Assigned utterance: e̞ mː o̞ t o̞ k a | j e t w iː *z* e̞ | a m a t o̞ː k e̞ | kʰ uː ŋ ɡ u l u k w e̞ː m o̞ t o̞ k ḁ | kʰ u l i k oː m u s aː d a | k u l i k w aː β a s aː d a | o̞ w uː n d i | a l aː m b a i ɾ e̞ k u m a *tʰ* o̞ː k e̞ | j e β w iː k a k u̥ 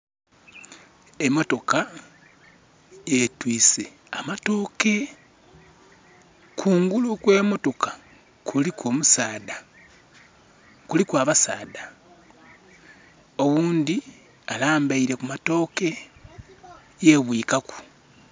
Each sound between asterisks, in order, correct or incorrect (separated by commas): incorrect, incorrect